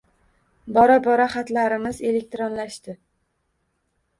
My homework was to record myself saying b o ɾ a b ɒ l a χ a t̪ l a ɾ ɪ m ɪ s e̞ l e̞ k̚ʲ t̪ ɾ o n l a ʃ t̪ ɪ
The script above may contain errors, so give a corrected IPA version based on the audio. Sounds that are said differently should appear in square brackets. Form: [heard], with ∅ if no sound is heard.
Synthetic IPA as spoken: b [ɒ] ɾ a b ɒ [ɾ] a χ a t̪ l a ɾ ɪ m ɪ [z] e̞ l e̞ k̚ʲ t̪ ɾ o n l a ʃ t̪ ɪ